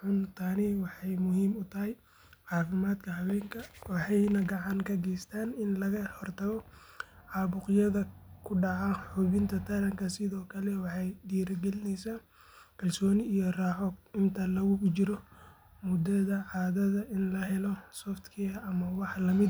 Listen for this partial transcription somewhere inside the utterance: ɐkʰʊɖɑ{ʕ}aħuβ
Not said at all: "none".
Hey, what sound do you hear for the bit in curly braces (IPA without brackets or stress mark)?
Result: ʕ